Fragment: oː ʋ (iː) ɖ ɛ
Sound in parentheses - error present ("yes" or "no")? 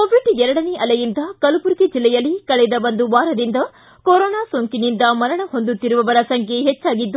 yes